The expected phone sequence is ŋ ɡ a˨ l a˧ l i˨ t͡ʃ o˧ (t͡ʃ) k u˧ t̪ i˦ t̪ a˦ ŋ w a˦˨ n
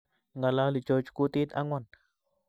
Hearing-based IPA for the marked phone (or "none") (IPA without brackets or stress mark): t͡ʃ